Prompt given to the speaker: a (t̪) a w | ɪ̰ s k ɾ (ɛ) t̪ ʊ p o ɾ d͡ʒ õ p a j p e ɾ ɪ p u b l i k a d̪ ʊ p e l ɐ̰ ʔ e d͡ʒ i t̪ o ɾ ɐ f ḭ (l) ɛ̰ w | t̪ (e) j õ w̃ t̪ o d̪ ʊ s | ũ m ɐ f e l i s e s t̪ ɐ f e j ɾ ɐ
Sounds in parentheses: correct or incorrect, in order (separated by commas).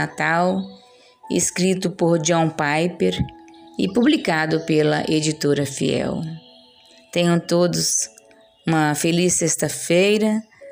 correct, incorrect, incorrect, incorrect